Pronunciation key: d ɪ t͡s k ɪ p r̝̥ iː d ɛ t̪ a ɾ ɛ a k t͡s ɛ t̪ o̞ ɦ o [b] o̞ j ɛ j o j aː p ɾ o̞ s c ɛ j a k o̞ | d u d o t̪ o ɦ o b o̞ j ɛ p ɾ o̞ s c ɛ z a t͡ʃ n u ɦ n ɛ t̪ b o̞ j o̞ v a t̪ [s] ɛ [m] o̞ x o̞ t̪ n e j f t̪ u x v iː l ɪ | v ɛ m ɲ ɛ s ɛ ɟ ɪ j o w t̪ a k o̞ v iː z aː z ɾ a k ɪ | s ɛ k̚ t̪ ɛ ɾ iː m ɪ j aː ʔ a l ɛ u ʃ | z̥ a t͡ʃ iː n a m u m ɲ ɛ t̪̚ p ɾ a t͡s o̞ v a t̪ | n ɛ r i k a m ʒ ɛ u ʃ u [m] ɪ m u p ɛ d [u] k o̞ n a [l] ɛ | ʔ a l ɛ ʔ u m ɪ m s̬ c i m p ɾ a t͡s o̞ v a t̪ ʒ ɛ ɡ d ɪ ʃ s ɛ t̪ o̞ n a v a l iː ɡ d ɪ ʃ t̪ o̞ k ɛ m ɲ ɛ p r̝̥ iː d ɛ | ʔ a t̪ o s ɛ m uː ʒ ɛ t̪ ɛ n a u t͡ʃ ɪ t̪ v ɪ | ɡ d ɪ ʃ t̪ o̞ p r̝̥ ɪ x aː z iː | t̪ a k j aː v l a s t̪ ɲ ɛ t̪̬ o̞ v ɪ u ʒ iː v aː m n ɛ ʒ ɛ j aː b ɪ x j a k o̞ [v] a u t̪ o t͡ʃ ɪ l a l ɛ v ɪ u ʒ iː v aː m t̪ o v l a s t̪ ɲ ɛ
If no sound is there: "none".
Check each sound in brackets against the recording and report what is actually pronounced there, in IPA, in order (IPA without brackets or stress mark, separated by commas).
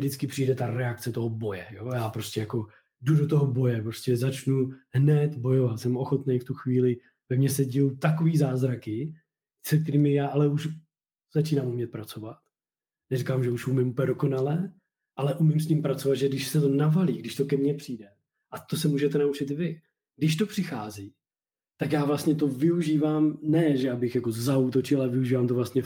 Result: b, s, m, m, o, l, z